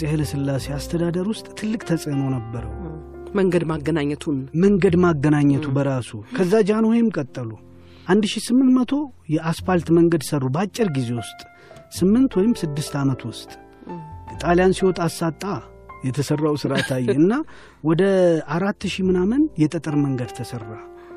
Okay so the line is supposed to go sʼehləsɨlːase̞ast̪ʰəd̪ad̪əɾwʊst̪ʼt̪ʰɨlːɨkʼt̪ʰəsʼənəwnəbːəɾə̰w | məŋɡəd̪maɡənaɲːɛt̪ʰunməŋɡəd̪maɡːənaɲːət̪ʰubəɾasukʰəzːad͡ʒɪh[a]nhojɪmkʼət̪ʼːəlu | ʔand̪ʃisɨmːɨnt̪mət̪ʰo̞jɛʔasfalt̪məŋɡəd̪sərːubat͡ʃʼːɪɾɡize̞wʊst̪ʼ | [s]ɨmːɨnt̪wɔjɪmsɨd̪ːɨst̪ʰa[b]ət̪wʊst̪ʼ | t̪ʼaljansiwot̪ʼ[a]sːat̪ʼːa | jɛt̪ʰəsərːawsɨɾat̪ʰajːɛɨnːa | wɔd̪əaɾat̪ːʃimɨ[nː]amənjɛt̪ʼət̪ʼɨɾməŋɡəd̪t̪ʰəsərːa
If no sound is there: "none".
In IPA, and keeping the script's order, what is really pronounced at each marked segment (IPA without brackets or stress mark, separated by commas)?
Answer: a, s, m, a, n